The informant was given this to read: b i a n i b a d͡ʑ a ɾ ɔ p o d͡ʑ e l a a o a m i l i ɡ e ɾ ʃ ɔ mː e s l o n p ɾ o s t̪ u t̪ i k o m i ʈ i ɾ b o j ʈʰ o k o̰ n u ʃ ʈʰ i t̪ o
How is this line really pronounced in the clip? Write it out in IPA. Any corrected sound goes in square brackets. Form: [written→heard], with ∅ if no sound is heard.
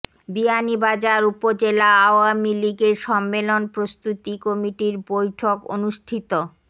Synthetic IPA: b i a n i b a d͡ʑ a ɾ [ɔ→u] p o d͡ʑ e l a a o a m i l i ɡ e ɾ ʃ ɔ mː e [s→∅] l o n p ɾ o s t̪ u t̪ i k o m i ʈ i ɾ b o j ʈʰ o k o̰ n u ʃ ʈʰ i t̪ o